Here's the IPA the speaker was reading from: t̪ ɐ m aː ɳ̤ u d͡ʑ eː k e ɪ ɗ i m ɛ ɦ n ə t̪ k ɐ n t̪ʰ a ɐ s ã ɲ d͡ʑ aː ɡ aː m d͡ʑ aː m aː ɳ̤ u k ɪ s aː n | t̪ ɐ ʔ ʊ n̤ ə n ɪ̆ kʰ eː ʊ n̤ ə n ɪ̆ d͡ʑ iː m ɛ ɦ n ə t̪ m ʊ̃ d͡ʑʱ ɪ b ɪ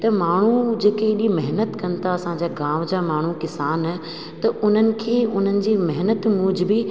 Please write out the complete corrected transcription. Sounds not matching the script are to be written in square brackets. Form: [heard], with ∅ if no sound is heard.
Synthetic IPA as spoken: t̪ ɐ m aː ɳ̤ u d͡ʑ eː k e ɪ ɗ i m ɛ ɦ n ə t̪ k ɐ n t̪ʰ a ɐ s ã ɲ d͡ʑ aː ɡ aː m d͡ʑ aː m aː ɳ̤ u k ɪ s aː n | t̪ ɐ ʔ ʊ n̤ ə n ɪ̆ kʰ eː ʊ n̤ ə n ɪ̆ d͡ʑ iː m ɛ ɦ n ə t̪ m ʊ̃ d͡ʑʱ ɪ b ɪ